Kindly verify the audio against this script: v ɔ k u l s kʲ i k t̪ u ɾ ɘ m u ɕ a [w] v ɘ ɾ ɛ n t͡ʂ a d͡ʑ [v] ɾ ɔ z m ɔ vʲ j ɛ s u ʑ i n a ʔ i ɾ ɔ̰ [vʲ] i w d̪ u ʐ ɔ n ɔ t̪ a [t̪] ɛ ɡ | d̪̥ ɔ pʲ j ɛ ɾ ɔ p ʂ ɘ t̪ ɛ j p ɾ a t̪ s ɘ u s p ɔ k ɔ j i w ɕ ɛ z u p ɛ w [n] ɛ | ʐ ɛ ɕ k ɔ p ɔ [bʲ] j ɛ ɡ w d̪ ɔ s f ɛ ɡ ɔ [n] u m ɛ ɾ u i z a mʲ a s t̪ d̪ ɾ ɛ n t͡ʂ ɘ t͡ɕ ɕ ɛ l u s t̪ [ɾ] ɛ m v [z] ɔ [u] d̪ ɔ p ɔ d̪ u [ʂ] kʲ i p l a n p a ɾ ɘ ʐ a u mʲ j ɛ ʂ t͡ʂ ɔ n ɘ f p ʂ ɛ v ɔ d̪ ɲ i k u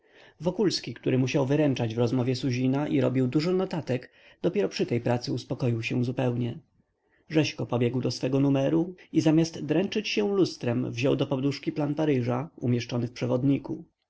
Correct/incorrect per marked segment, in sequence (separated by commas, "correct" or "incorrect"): correct, correct, incorrect, correct, incorrect, correct, correct, correct, incorrect, incorrect, correct